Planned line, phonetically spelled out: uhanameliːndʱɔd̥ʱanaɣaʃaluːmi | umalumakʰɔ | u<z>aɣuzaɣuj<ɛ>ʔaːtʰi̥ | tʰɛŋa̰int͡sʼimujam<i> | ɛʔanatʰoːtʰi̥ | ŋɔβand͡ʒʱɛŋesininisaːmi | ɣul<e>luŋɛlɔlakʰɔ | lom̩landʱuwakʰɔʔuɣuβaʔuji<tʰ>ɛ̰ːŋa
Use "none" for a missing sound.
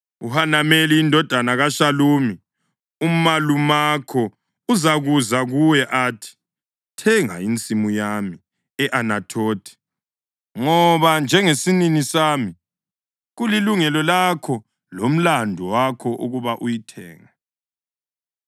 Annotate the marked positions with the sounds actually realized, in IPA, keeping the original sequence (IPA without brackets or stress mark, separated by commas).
z, ɛ, i, i, tʰ